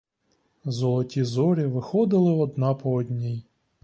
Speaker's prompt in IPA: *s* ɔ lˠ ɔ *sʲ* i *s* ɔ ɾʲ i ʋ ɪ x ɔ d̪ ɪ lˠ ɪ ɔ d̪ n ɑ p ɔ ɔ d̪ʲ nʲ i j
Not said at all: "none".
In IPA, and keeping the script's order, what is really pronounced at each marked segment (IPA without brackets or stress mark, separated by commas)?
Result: z, tʲ, z